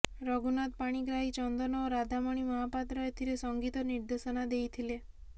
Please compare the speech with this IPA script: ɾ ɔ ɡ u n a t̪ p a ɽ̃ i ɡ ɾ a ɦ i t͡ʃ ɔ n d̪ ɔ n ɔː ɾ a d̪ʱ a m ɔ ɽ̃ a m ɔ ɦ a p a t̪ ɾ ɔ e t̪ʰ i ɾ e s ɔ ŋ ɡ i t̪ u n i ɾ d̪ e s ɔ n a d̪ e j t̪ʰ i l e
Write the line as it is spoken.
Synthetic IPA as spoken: ɾ ɔ ɡ u n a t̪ p a ɽ̃ i ɡ ɾ a ɦ i t͡ʃ ɔ n d̪ ɔ n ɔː ɾ a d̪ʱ a m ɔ ɽ̃ i m ɔ ɦ a p a t̪ ɾ ɔ e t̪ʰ i ɾ e s ɔ ŋ ɡ i t̪ ɔ n i ɾ d̪ e s ɔ n a d̪ e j t̪ʰ i l e